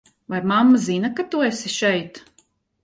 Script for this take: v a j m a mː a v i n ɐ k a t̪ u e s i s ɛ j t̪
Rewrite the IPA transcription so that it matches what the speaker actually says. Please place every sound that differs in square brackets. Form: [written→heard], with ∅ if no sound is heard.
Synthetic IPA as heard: v a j m a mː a [v→z] i n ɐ k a t̪ u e s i [s→ʃ] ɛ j t̪